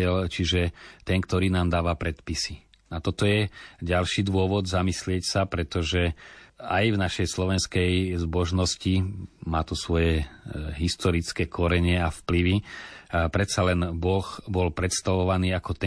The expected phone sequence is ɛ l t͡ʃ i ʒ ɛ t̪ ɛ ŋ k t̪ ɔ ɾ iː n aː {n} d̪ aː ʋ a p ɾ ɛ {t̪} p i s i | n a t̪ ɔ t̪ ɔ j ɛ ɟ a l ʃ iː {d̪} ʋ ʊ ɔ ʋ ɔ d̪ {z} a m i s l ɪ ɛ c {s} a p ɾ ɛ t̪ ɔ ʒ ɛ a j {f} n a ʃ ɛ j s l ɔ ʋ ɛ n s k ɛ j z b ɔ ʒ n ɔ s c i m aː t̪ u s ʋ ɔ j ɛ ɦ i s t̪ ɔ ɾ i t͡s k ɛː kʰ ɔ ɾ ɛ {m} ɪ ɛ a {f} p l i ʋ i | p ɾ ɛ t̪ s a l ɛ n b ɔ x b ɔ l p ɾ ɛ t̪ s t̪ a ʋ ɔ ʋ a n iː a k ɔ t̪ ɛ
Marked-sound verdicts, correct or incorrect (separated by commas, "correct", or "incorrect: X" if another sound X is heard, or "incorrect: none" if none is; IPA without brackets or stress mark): incorrect: m, correct, correct, correct, correct, incorrect: v, incorrect: ɲ, correct